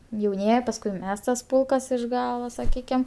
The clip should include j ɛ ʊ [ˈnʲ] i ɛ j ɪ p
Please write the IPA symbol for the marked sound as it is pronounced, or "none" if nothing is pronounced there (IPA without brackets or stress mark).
nʲ